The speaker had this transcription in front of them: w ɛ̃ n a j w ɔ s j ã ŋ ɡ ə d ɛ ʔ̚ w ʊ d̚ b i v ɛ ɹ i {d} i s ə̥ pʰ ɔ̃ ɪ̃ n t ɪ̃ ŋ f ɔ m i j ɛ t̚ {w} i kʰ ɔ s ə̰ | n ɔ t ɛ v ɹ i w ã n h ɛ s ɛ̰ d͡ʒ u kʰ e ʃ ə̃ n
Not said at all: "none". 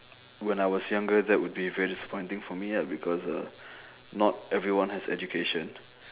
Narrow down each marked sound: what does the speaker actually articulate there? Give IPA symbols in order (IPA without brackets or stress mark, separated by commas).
d, b